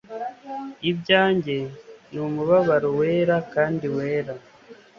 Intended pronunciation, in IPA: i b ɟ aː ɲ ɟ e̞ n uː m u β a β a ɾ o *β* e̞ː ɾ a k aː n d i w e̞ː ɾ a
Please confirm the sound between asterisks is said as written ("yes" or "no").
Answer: no